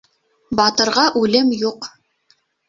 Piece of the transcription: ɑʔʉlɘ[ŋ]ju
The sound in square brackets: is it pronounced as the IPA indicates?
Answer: no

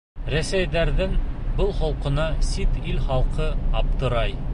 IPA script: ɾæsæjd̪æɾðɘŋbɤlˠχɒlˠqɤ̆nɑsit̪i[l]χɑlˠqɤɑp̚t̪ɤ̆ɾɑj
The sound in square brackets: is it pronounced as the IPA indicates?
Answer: yes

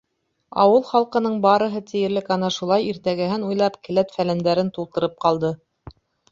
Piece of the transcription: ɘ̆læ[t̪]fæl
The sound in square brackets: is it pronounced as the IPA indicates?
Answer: yes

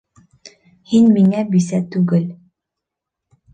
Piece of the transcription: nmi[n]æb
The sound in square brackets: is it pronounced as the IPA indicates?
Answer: no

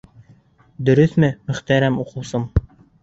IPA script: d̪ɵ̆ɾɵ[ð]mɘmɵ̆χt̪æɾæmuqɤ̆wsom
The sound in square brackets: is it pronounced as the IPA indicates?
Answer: no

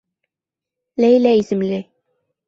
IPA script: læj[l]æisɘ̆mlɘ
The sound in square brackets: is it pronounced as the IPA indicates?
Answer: yes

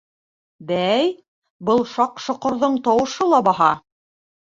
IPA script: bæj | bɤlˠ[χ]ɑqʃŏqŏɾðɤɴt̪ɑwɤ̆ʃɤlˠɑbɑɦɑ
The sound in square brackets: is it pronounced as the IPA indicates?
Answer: no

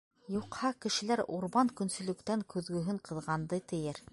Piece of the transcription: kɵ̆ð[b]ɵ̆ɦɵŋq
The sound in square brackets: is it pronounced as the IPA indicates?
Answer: no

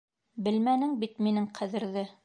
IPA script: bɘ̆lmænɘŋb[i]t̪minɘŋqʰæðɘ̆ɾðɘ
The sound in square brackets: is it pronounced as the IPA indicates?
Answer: yes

